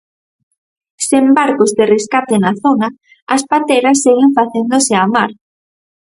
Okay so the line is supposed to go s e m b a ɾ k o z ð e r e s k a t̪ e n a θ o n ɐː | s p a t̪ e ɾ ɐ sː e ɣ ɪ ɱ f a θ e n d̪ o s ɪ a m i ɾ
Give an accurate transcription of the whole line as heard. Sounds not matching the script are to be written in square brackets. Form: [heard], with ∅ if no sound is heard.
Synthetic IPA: s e m b a ɾ k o z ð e r e s k a t̪ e n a θ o n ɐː | s p a t̪ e ɾ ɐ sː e ɣ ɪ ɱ f a θ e n d̪ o s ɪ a m [a] ɾ